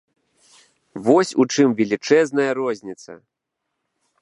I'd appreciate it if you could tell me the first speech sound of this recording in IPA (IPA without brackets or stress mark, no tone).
v